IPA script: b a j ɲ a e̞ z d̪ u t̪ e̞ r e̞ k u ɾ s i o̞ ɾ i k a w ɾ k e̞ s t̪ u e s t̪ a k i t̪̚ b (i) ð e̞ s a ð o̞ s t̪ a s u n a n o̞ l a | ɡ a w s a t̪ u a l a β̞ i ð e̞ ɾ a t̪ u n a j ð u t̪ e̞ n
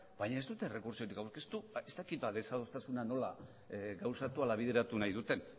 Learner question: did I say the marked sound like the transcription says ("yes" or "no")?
no